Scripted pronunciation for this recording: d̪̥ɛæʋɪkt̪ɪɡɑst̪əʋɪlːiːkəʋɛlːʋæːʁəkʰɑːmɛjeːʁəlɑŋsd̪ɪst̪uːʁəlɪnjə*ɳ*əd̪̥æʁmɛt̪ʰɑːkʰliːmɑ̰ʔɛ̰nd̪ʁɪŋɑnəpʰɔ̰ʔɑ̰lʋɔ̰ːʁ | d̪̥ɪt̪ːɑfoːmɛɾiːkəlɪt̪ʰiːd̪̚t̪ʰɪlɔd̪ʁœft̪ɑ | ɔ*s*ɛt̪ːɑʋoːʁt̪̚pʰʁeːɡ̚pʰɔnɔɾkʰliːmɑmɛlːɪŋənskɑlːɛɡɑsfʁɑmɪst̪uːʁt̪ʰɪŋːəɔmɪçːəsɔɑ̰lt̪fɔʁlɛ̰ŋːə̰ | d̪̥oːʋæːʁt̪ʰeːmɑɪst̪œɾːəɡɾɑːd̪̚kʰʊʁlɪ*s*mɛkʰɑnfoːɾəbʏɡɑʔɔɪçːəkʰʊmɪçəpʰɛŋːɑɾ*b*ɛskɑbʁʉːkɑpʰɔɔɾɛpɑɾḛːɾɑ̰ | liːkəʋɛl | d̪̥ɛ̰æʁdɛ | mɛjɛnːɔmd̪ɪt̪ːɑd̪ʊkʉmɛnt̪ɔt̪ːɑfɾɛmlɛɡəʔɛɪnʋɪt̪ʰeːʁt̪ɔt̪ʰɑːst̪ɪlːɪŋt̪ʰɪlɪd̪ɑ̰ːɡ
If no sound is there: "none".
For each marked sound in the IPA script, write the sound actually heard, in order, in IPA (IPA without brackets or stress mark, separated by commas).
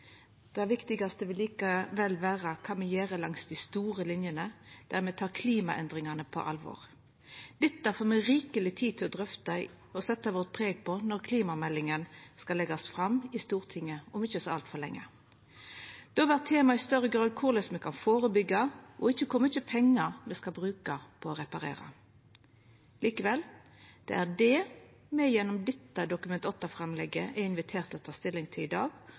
n, s, s, m